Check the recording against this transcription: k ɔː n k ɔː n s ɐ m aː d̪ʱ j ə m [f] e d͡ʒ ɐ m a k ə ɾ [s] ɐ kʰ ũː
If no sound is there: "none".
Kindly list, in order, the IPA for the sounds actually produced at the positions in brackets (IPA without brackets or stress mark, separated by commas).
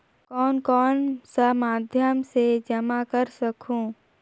s, s